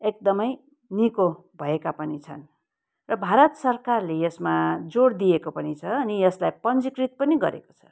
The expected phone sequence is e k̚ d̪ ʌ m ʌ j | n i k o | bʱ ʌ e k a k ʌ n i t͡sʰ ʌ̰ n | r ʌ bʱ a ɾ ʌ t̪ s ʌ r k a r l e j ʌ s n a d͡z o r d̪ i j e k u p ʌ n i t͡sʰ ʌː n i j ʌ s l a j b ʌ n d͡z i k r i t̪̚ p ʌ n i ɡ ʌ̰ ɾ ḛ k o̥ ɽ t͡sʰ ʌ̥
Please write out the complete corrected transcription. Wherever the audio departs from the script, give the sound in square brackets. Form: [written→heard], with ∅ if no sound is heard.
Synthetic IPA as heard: e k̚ d̪ ʌ m ʌ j | n i k o | bʱ ʌ e k a [k→p] ʌ n i t͡sʰ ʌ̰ n | r ʌ bʱ a ɾ ʌ t̪ s ʌ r k a r l e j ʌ s [n→m] a d͡z o [r→ɽ] d̪ i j e k [u→o] p ʌ n i t͡sʰ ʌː n i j ʌ s l a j [b→p] ʌ n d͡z i k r i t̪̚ p ʌ n i ɡ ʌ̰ ɾ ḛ k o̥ [ɽ→∅] t͡sʰ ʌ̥